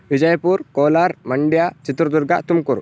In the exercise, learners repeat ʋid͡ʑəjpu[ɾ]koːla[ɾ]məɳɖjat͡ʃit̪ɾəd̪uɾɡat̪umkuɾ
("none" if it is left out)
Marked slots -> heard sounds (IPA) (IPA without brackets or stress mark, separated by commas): ɾ, ɾ